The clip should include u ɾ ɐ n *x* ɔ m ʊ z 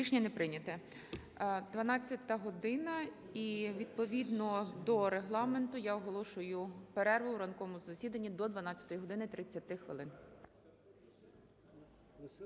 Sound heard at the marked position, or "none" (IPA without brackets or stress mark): k